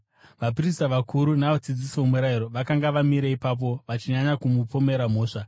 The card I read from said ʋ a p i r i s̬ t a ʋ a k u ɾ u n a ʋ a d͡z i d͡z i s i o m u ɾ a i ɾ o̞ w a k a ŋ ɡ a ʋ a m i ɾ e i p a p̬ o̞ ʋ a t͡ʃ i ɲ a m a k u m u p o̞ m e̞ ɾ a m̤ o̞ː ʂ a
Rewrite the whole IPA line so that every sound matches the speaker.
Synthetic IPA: ʋ a p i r i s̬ t a ʋ a k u ɾ u n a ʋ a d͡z i d͡z i s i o m u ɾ a i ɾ o̞ ʋ a k a ŋ ɡ a ʋ a m i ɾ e i p a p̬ o̞ ʋ a t͡ʃ i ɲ a ɲ a k u m u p o̞ m e̞ ɾ a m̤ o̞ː ʂ a